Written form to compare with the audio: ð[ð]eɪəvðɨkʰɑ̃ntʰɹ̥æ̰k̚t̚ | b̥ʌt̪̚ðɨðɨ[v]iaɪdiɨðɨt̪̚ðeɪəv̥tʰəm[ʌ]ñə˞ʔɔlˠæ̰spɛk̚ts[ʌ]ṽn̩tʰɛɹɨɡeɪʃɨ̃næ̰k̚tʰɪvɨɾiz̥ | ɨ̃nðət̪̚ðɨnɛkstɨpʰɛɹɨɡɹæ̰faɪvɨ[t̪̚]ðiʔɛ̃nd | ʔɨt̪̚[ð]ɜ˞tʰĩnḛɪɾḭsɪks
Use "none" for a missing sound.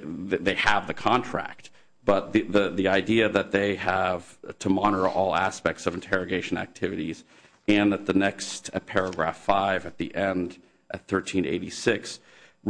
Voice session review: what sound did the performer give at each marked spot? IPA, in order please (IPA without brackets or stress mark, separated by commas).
ð, ð, ɑ, ʌ, t̪̚, θ